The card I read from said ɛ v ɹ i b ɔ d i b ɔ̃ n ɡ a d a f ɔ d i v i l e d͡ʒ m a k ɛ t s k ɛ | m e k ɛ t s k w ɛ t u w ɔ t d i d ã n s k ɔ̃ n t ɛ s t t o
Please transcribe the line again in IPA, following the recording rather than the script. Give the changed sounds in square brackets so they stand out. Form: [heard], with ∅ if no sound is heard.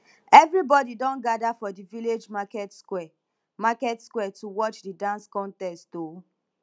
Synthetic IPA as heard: ɛ v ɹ i b ɔ d i [d] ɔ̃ n ɡ a d a f ɔ d i v i l e d͡ʒ m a k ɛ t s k ɛ | m [a] k ɛ t s k w ɛ t u w ɔ [t͡ʃ] d i d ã n s k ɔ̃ n t ɛ s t t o